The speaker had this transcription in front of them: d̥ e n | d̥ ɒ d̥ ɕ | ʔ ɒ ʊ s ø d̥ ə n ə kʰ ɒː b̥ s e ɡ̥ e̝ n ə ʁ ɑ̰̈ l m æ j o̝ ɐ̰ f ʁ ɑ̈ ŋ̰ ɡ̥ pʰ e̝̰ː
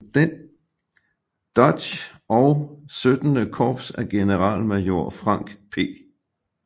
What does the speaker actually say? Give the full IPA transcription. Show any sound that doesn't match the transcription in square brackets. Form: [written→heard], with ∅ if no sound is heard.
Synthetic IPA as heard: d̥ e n | d̥ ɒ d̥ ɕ | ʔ ɒ ʊ s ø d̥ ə n ə kʰ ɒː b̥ s [e→æ] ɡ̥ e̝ n ə ʁ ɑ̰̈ l m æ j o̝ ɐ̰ f ʁ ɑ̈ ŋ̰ ɡ̥ pʰ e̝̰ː

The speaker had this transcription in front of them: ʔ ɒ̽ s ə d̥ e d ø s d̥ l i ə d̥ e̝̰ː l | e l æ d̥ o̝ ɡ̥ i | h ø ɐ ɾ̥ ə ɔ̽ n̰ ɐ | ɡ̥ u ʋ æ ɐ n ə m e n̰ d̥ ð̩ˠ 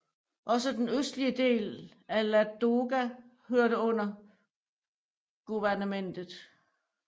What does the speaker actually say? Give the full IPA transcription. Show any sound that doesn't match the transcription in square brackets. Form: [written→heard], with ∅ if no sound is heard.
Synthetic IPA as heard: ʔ ɒ̽ s ə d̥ e [d→n] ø s d̥ l i ə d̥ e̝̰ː l | [e→æ] l æ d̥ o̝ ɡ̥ [i→æ] | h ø ɐ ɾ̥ ə ɔ̽ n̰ ɐ | ɡ̥ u ʋ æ ɐ n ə m e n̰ d̥ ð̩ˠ

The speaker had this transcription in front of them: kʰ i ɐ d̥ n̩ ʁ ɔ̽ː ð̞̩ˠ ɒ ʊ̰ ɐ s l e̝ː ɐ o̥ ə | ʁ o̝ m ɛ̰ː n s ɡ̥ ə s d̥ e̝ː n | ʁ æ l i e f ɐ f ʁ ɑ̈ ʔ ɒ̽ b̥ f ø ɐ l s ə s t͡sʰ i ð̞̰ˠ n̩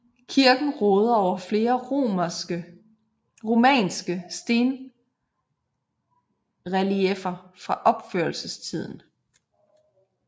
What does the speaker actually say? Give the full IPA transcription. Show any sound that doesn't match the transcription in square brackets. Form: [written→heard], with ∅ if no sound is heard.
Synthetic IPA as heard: kʰ i ɐ [d̥→ɡ̥] n̩ ʁ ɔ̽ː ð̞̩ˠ ɒ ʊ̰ ɐ [s→f] l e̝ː ɐ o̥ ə | ʁ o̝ m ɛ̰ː n s ɡ̥ ə s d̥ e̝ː n | ʁ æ l i e f ɐ f ʁ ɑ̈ ʔ ɒ̽ b̥ f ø ɐ l s ə s t͡sʰ i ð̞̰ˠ n̩

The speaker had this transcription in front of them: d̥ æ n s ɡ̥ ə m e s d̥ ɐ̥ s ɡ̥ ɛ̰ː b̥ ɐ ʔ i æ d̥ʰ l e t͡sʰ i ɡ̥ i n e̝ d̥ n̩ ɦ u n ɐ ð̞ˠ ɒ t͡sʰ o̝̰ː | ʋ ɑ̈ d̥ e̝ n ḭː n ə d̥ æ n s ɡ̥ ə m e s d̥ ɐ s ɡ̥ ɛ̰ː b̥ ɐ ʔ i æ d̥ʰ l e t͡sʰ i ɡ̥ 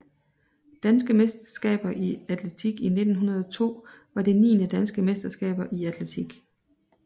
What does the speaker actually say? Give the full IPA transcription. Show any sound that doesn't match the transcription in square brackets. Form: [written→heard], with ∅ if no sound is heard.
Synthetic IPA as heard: d̥ æ n s ɡ̥ ə m e s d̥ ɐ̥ s ɡ̥ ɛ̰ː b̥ ɐ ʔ i æ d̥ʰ l e t͡sʰ i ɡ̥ i n e̝ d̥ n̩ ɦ u n ɐ ð̞ˠ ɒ t͡sʰ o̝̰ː | ʋ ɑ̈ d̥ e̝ n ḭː n ə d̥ æ n s ɡ̥ ə m e s d̥ ɐ s ɡ̥ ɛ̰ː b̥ ɐ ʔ i æ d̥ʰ l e t͡sʰ i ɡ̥

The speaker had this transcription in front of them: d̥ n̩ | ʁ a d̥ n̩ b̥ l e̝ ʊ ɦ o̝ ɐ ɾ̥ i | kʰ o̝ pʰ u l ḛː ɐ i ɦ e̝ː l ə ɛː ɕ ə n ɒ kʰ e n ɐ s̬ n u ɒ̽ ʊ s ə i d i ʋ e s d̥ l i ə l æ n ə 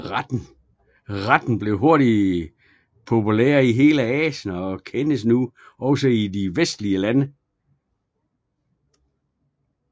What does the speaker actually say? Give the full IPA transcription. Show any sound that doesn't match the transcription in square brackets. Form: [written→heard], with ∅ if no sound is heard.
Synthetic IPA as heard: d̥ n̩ | ʁ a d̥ n̩ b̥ l e̝ ʊ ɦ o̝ ɐ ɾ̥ i | [kʰ→pʰ] o̝ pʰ u l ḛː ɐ i ɦ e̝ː l ə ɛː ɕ ə n ɒ kʰ e n [ɐ→ə] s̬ n u ɒ̽ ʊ s ə i d i ʋ e s d̥ l i ə l æ n ə

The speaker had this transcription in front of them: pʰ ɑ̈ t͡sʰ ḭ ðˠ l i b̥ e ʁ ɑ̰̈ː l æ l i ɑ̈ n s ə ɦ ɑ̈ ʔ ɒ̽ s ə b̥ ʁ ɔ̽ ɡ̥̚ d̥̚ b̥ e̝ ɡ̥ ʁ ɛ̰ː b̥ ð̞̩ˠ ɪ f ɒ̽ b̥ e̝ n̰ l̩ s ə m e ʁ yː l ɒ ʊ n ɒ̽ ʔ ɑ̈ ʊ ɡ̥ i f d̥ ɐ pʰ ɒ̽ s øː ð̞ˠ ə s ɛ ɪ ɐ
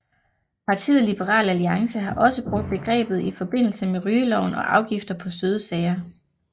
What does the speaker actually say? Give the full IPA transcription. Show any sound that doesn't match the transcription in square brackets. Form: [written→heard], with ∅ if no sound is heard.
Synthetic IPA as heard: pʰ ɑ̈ t͡sʰ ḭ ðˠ l i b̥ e ʁ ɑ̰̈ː l æ l i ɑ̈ [n→ŋ] s ə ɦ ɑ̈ ʔ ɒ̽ s ə b̥ ʁ ɔ̽ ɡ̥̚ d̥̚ b̥ e̝ ɡ̥ ʁ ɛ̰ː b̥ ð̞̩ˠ [ɪ→i] f ɒ̽ b̥ e̝ n̰ l̩ s ə m e ʁ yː l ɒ ʊ n ɒ̽ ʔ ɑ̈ ʊ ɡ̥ i f d̥ ɐ pʰ ɒ̽ s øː ð̞ˠ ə s ɛ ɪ ɐ

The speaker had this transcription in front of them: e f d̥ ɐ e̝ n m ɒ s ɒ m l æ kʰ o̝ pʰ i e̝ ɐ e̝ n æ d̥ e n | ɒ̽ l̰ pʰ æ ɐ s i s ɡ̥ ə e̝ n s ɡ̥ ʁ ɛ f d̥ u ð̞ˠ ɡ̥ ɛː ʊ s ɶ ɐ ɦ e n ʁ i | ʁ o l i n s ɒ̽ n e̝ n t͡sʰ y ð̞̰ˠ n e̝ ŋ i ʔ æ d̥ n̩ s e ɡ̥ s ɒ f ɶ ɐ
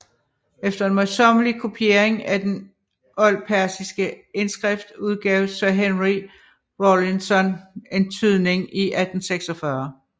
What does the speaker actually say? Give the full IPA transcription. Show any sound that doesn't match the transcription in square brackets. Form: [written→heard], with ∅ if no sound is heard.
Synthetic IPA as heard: e f d̥ ɐ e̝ n m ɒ s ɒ m l [æ→i] kʰ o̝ pʰ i e̝ ɐ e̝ [n→ŋ] æ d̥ e n | ɒ̽ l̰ pʰ æ ɐ s i s ɡ̥ ə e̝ n s ɡ̥ ʁ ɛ f d̥ u ð̞ˠ ɡ̥ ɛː ʊ s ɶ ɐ ɦ e n ʁ i | ʁ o l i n s ɒ̽ n e̝ n t͡sʰ y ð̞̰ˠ n e̝ ŋ i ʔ æ d̥ n̩ s e ɡ̥ s ɒ f ɶ ɐ

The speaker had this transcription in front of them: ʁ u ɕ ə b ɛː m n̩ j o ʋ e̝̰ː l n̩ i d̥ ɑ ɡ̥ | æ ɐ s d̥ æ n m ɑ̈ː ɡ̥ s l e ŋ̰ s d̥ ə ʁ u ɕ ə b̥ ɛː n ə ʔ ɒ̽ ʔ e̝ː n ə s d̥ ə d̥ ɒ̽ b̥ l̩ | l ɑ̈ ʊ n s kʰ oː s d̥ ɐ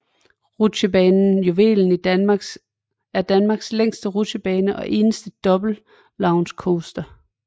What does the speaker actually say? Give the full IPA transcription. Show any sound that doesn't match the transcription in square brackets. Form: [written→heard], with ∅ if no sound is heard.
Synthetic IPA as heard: ʁ u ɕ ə b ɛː [m→n] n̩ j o ʋ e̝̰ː l n̩ i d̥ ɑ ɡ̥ | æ ɐ [s→∅] d̥ æ n m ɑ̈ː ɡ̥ s l e ŋ̰ s d̥ ə ʁ u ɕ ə b̥ ɛː n ə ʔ ɒ̽ ʔ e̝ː n ə s d̥ ə d̥ ɒ̽ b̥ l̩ | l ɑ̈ ʊ n s kʰ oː s d̥ ɐ

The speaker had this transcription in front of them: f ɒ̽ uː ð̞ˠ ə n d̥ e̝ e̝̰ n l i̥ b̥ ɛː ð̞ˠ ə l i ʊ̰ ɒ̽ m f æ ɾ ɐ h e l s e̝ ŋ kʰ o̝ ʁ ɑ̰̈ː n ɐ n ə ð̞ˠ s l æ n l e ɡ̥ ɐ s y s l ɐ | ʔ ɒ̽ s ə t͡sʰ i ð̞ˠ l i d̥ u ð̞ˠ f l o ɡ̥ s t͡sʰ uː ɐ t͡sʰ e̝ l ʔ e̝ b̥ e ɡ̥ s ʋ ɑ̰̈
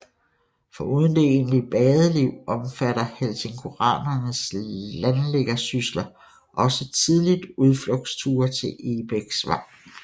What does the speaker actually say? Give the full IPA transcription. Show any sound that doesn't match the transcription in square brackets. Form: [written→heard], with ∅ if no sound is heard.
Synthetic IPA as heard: f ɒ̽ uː ð̞ˠ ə n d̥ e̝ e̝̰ n l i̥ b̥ ɛː ð̞ˠ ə l i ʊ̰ ɒ̽ m f æ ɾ ɐ h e l s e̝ ŋ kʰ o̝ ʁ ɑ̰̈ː n ɐ n ə [ð̞ˠ→∅] s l æ n l e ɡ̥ ɐ s y s l ɐ | ʔ ɒ̽ s ə t͡sʰ i ð̞ˠ l i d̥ u ð̞ˠ f l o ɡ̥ s t͡sʰ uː ɐ t͡sʰ e̝ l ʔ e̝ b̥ e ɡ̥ s ʋ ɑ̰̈

